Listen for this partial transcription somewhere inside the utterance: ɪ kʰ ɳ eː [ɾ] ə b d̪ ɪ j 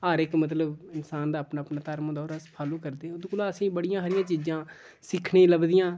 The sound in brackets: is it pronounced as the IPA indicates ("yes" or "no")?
no